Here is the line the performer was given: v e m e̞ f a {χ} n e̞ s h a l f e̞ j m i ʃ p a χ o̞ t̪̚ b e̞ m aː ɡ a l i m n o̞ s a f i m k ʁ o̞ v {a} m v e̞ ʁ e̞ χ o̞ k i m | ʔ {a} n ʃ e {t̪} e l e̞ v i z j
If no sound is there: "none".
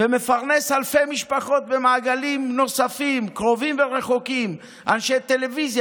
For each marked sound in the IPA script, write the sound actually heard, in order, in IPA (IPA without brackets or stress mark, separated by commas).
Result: ʁ, i, a, t̪